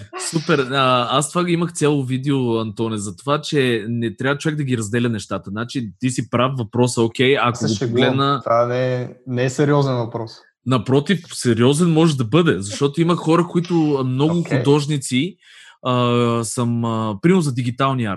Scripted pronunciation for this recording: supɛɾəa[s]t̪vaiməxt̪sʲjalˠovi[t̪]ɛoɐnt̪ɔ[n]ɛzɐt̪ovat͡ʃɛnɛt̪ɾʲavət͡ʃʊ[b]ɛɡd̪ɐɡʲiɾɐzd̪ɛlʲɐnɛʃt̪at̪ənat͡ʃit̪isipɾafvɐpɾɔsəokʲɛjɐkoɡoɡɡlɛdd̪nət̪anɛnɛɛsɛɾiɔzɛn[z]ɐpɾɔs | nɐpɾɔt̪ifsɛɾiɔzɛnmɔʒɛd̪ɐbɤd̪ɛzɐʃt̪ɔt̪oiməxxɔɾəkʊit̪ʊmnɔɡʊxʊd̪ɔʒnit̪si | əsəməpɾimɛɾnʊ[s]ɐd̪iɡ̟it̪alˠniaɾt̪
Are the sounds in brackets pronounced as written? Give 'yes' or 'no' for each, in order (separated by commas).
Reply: yes, no, yes, no, no, no